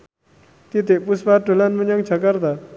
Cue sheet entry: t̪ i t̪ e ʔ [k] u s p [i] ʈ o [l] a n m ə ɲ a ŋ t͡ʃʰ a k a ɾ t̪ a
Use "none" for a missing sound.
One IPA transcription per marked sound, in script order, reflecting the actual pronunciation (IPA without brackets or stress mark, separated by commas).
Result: p, a, l